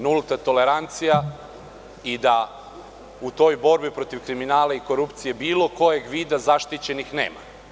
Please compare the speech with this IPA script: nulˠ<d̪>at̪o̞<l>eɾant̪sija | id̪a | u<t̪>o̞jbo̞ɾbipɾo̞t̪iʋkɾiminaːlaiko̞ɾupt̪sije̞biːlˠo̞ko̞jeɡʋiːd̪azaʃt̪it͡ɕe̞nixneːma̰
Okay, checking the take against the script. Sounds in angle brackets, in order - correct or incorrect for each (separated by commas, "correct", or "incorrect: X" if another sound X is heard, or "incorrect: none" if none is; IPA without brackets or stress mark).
incorrect: t̪, correct, correct